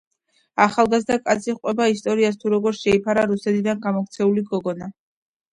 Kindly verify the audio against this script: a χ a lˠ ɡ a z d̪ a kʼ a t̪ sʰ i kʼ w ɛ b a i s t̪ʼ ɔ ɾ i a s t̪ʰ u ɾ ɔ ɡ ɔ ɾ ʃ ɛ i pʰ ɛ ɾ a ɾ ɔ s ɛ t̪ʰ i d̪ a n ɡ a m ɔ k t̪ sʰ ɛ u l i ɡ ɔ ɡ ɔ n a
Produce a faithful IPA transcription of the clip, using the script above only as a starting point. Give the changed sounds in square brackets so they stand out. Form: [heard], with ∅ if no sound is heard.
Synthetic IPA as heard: a χ a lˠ ɡ a z d̪ a kʼ a t̪ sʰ i [qʼ] w ɛ b a i s t̪ʼ ɔ ɾ i a s t̪ʰ u ɾ ɔ ɡ ɔ ɾ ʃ ɛ i pʰ [a] ɾ a ɾ [u] s ɛ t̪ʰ i d̪ a n ɡ a m ɔ k t̪ sʰ ɛ u l i ɡ ɔ ɡ ɔ n a